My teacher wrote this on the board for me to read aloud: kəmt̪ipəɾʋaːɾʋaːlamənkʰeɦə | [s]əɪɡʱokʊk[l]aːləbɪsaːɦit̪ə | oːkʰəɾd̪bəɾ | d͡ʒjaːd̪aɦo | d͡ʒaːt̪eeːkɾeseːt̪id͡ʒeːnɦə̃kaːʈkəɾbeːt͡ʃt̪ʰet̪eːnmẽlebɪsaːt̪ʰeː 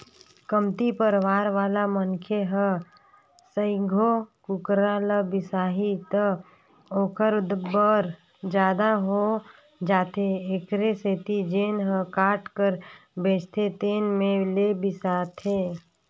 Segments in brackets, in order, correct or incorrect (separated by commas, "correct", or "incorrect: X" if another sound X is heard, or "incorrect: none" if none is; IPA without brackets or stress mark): correct, incorrect: ɾ